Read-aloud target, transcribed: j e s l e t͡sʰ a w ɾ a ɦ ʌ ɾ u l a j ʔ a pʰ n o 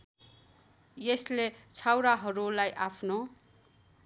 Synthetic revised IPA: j e s l e t͡sʰ a w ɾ a ɦ ʌ ɾ u l a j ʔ a pʰ n o